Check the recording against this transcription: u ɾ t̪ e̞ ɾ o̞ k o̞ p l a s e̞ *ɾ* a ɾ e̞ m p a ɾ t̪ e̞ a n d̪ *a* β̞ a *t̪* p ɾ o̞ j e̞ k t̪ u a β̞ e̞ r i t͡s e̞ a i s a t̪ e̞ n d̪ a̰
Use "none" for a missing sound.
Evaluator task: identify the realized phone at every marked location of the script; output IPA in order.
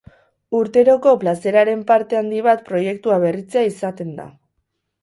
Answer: ɾ, i, t̪

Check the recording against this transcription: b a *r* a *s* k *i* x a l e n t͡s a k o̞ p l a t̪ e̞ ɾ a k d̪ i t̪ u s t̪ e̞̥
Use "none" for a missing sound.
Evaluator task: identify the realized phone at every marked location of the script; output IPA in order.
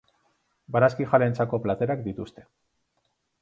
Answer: ɾ, s, i

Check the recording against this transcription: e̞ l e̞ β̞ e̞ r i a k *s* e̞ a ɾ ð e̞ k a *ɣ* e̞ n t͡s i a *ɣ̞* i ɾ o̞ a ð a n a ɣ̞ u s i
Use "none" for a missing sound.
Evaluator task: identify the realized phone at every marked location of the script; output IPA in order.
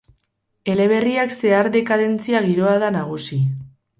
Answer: s, ð, ɣ̞

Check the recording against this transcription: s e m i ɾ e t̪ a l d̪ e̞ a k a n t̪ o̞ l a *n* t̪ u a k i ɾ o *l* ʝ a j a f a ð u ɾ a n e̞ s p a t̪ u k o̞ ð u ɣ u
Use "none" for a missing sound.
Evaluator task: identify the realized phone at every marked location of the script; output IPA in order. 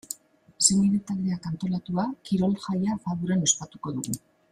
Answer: none, l

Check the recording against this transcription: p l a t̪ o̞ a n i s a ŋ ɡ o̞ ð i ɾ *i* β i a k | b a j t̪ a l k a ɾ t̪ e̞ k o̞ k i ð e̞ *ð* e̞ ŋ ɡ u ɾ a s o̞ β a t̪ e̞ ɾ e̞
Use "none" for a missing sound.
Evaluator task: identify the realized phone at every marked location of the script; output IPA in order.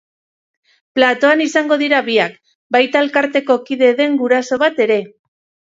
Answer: a, ð

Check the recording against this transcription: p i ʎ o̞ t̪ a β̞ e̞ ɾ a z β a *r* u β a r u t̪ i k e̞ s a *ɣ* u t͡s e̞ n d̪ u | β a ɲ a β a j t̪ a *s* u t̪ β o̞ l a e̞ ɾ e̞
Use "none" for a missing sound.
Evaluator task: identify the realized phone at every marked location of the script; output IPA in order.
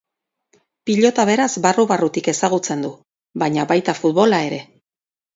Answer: r, ɣ, f

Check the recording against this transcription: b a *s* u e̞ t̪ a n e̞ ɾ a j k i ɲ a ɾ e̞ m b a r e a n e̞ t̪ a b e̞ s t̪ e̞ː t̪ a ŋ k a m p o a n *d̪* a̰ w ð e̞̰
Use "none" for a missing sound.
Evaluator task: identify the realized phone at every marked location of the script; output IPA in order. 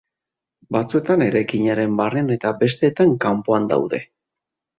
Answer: t͡s, d̪

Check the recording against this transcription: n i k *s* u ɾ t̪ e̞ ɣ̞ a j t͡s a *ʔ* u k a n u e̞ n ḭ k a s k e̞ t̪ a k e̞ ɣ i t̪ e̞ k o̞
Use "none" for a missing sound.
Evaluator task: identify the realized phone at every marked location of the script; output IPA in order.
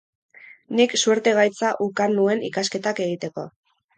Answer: s, ʔ

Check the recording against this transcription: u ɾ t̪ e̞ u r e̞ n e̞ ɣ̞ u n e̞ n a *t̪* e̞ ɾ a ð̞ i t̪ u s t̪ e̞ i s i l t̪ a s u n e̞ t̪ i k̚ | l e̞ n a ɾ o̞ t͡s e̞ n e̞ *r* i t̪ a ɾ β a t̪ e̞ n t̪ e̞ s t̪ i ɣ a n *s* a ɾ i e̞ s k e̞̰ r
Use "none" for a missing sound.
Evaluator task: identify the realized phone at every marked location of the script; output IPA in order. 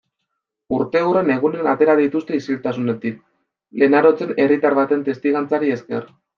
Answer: t̪, r, t͡s

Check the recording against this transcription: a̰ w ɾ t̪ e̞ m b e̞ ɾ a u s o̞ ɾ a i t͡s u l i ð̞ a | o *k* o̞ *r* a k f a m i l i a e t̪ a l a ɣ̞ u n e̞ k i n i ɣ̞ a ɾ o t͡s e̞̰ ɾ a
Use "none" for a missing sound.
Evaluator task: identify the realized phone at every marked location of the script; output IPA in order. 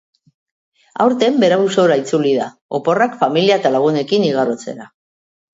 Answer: p, r

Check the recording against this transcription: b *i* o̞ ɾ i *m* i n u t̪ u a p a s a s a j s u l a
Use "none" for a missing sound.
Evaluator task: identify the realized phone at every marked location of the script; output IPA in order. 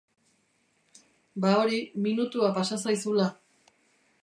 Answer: a, m

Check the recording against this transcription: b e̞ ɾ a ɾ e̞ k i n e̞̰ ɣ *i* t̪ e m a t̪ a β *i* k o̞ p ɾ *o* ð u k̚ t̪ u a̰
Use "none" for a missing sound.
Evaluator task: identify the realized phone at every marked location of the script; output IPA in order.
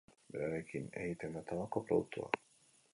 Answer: i, a, o

